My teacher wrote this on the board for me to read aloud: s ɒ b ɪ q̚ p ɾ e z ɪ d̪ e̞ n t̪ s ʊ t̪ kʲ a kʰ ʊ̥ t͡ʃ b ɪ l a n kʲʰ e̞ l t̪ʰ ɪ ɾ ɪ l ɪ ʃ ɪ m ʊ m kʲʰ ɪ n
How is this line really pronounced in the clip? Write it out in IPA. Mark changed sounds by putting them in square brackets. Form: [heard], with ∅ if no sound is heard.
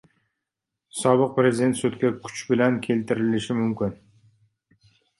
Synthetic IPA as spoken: s ɒ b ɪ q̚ p ɾ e z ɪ d̪ e̞ n t̪ s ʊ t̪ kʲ a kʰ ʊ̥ t͡ʃ b ɪ l a n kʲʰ e̞ l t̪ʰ ɪ ɾ ɪ l ɪ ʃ ɪ m ʊ m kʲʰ ɪ n